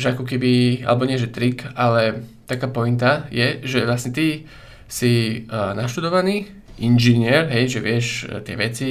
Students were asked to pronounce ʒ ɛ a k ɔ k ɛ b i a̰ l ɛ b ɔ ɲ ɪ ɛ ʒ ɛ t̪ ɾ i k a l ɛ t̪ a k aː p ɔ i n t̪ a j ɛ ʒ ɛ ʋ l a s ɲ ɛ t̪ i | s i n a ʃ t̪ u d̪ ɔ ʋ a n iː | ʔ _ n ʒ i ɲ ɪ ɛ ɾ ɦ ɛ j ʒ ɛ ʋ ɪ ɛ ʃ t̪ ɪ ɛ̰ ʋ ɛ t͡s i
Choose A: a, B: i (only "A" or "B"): B